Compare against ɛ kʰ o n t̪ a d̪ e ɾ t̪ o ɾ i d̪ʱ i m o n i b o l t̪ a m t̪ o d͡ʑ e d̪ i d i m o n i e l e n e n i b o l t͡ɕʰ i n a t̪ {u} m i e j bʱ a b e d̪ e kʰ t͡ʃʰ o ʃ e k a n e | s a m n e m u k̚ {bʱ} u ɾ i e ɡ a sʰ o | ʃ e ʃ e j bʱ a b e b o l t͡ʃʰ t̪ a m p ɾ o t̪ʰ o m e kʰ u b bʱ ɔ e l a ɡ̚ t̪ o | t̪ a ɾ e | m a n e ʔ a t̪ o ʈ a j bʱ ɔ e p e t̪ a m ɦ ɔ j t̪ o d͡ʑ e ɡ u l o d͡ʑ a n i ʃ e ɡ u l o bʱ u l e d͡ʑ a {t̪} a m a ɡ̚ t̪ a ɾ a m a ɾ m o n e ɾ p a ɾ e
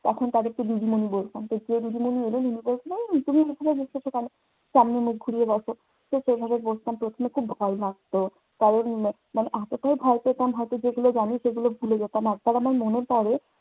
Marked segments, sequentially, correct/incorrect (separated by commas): correct, incorrect, correct